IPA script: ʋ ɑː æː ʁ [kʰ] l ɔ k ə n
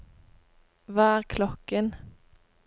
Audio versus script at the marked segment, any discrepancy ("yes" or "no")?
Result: no